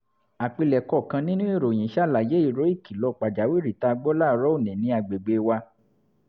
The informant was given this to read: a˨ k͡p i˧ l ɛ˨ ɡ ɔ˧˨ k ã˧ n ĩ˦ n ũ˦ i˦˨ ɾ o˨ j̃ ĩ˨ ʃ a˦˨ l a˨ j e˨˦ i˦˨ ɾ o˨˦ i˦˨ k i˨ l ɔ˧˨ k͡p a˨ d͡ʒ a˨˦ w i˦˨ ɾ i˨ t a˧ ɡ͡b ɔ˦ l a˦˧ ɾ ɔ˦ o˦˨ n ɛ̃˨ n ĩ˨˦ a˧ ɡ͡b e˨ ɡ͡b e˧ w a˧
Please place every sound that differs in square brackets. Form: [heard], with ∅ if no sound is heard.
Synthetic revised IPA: a˨ k͡p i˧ l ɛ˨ [k] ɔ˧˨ k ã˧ n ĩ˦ n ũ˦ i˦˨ ɾ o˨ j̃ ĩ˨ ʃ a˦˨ l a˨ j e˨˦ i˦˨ ɾ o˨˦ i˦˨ k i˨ l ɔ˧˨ k͡p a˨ d͡ʒ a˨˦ w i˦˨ ɾ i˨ t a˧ ɡ͡b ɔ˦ l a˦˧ ɾ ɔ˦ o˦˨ n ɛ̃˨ n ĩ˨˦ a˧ ɡ͡b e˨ ɡ͡b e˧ w a˧

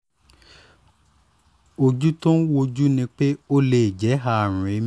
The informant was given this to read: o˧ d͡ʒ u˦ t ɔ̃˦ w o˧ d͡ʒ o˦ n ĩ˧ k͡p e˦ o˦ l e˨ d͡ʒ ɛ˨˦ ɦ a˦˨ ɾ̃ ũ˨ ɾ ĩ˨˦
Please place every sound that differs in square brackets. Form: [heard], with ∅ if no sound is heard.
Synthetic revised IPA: o˧ d͡ʒ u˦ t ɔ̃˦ w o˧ d͡ʒ [u˦] n ĩ˧ k͡p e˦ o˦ l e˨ d͡ʒ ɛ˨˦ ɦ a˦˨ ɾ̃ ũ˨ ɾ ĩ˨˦

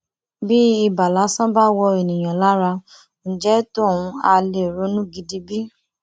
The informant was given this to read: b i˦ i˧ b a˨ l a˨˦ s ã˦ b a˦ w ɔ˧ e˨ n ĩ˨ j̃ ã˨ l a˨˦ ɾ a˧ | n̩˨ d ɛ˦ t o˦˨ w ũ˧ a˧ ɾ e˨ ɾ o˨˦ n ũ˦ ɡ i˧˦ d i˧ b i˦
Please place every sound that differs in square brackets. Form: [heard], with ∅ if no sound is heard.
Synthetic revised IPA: b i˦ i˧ b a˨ l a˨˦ s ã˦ b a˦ w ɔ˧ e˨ n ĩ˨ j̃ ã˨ l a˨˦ ɾ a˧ | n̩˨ [d͡ʒ] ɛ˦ t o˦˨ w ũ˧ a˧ [l] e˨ ɾ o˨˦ n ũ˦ ɡ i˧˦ d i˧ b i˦

